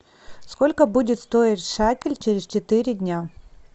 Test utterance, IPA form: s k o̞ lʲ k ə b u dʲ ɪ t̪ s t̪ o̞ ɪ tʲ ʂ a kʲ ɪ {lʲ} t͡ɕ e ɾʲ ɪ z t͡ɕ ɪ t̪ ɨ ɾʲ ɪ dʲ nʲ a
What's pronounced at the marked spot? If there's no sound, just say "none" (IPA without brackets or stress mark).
lʲ